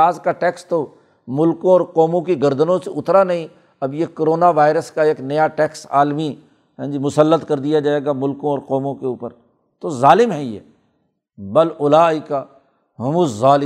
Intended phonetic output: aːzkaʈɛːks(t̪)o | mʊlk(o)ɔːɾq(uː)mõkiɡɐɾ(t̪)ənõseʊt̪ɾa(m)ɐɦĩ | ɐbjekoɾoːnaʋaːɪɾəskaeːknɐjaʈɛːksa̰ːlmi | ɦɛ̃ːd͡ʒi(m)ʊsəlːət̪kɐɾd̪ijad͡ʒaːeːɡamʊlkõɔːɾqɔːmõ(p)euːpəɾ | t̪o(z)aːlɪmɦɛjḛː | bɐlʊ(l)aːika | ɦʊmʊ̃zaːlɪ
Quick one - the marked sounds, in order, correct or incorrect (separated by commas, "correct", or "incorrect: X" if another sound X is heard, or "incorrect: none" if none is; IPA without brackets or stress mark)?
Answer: correct, incorrect: õ, incorrect: ɔː, incorrect: d̪, incorrect: n, correct, incorrect: k, correct, correct